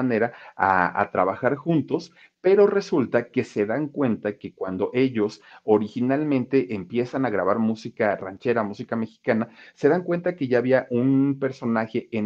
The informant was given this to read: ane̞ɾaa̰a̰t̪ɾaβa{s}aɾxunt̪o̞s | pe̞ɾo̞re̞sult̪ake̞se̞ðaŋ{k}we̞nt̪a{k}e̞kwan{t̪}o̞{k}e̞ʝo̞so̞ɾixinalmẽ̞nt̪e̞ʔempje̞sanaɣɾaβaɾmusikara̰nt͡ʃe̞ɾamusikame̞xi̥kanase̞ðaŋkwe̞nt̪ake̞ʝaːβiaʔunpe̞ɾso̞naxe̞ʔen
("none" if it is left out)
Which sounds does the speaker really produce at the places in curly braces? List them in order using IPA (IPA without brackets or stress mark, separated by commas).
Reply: x, k, k, d̪, ʔ